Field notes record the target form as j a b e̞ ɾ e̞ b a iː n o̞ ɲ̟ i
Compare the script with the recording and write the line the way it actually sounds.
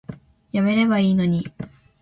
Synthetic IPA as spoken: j a m e̞ ɾ e̞ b a iː n o̞ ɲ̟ i